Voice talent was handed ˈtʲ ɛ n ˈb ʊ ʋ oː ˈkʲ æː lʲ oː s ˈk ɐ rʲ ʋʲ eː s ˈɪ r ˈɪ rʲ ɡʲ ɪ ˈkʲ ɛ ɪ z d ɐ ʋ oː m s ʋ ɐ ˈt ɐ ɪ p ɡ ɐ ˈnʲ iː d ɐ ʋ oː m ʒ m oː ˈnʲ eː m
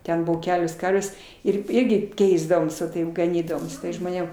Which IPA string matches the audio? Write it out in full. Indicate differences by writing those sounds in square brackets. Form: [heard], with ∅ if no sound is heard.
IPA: ˈtʲ ɛ n ˈb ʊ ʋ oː ˈkʲ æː lʲ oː s ˈk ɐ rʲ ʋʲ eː s ˈɪ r ˈɪ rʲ ɡʲ ɪ ˈkʲ ɛ ɪ z d ɐ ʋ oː m s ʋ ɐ ˈt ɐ ɪ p ɡ ɐ ˈnʲ iː d ɐ ʋ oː m ʒ m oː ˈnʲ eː m